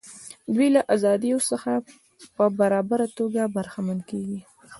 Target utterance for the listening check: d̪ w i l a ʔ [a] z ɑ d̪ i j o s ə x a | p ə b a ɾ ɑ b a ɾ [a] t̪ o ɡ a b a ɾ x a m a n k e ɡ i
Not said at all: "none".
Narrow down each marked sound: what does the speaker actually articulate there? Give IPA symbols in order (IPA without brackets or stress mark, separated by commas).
a, a